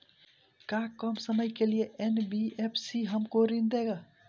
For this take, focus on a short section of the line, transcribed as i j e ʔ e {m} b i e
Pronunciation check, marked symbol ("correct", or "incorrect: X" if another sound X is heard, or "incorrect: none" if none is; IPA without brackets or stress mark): incorrect: n